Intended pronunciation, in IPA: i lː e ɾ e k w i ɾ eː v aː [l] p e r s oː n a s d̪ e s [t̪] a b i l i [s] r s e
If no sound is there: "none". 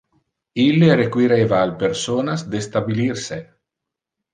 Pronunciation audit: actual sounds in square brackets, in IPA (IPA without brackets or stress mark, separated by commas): l, t̪, none